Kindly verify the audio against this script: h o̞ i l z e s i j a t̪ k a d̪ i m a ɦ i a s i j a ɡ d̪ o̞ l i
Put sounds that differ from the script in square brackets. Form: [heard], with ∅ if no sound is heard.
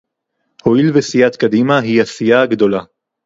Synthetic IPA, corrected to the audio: h o̞ i l [v] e s i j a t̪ k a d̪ i m a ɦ i a s i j a ɡ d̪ o̞ l [a]